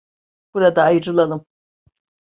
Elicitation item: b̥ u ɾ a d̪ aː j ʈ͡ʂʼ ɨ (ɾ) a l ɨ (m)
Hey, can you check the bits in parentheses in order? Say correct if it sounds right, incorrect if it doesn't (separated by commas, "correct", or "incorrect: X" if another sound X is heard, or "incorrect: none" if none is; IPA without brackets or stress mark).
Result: incorrect: l, correct